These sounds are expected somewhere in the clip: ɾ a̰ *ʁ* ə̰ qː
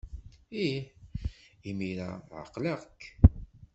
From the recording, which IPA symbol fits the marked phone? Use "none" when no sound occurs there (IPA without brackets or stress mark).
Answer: ʕ